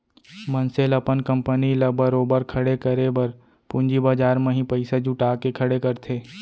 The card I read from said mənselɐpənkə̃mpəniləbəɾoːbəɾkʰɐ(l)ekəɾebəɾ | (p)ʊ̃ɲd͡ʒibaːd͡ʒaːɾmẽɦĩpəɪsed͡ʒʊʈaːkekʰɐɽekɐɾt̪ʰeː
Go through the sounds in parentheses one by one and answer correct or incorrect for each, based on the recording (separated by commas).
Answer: incorrect, correct